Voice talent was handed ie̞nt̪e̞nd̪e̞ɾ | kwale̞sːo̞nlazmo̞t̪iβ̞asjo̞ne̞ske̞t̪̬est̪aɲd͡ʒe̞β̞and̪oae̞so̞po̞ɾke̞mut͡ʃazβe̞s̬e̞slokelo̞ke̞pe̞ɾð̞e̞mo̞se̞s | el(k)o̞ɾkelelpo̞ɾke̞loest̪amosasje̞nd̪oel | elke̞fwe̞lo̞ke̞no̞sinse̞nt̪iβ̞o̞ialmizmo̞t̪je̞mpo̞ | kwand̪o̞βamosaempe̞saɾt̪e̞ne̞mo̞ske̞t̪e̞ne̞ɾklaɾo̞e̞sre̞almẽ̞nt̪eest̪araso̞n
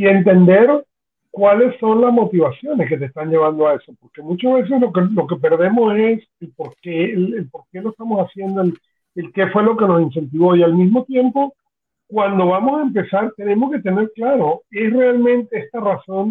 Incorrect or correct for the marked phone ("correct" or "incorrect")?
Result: incorrect